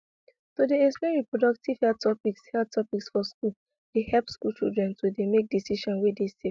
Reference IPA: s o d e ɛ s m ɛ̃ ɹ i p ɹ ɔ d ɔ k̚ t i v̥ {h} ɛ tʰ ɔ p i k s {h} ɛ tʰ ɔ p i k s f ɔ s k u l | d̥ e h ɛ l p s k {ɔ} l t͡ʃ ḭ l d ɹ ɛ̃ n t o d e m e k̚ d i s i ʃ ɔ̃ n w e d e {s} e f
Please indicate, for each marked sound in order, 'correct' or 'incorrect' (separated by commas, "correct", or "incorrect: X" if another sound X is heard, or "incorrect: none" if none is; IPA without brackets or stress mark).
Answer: correct, correct, incorrect: u, correct